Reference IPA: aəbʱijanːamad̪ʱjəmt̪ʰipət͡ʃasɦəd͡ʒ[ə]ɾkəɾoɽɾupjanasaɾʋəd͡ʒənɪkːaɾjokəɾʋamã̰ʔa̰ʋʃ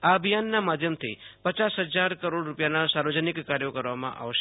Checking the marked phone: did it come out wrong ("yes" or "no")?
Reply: yes